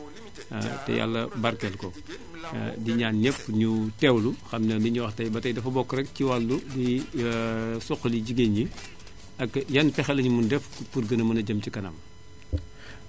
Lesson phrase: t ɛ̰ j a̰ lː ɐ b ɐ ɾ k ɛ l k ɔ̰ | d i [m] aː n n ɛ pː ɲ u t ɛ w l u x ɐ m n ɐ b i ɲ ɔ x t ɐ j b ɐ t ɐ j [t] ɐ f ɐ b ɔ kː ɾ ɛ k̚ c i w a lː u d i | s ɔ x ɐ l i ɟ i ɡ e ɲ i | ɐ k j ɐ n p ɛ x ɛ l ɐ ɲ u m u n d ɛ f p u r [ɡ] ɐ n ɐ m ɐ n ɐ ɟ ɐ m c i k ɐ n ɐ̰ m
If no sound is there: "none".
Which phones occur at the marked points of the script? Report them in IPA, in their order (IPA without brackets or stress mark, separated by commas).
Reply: ɲ, d, ɡ